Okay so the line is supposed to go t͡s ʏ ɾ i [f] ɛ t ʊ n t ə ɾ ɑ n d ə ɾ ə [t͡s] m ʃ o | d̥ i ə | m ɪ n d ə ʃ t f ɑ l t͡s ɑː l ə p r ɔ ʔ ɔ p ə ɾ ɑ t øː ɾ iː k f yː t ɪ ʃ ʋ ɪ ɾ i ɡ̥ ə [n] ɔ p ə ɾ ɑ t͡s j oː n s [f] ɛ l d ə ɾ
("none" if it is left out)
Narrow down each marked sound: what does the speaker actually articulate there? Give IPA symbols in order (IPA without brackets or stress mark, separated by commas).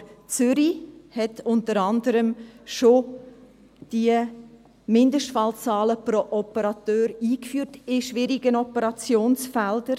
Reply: h, none, n, f